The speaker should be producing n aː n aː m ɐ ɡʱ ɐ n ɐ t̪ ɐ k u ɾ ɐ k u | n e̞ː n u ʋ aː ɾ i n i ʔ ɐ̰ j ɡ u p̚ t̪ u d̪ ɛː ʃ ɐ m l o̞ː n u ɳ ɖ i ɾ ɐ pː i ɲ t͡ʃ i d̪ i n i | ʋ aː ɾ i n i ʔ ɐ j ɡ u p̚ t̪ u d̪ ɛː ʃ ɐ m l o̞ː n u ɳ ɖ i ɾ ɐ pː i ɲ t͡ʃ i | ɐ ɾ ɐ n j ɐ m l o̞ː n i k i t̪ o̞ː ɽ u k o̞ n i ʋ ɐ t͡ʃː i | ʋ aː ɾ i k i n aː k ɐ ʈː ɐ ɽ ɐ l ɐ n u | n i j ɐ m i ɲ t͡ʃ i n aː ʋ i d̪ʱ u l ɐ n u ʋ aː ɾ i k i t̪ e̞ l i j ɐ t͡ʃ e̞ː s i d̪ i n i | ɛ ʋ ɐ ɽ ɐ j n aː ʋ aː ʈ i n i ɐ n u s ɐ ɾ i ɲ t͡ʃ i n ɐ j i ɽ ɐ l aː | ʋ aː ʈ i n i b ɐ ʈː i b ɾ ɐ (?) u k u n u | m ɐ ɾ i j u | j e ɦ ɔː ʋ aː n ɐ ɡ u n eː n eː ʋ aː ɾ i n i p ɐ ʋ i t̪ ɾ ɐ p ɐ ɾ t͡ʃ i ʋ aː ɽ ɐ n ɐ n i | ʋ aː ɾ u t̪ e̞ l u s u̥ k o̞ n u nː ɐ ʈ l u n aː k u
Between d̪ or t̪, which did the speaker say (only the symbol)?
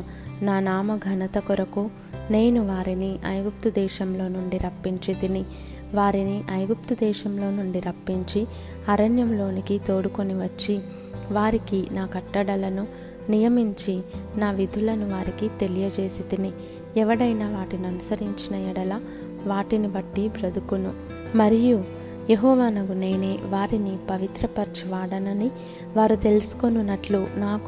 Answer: d̪